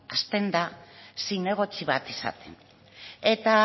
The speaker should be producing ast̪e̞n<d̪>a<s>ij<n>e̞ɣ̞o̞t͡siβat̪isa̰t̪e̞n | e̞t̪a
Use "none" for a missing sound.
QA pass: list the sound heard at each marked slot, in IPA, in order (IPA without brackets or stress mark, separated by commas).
d̪, s, n